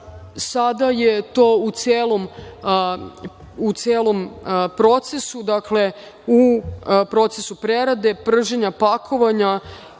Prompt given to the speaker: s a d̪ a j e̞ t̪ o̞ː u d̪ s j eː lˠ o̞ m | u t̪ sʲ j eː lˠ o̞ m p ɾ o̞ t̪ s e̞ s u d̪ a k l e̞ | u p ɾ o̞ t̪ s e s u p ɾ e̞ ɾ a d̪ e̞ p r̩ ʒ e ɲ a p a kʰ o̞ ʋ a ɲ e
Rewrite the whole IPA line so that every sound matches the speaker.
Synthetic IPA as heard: s a d̪ a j e̞ t̪ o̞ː u t̪ s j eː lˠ o̞ m | u t̪ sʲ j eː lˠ o̞ m p ɾ o̞ t̪ s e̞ s u d̪ a k l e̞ | u p ɾ o̞ t̪ s e s u p ɾ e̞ ɾ a d̪ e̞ p r̩ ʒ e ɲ a p a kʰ o̞ ʋ a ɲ a